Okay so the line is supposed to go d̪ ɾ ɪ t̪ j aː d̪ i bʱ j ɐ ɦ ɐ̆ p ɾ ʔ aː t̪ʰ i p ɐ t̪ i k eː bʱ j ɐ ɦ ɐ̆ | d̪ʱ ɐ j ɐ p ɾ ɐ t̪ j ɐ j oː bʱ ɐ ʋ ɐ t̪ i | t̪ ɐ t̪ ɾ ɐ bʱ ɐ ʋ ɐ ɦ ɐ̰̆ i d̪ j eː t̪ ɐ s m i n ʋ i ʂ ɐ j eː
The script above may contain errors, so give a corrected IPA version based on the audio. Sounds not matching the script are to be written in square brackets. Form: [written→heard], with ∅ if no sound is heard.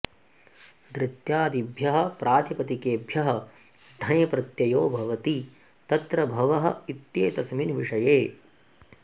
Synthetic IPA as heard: d̪ ɾ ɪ t̪ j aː d̪ i bʱ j ɐ ɦ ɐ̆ p ɾ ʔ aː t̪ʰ i p ɐ t̪ i k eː bʱ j ɐ ɦ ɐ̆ | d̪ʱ ɐ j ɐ p ɾ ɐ t̪ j ɐ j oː bʱ ɐ ʋ ɐ t̪ i | t̪ ɐ t̪ ɾ ɐ bʱ ɐ ʋ ɐ ɦ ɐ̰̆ i [d̪→t̪] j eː t̪ ɐ s m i n ʋ i ʂ ɐ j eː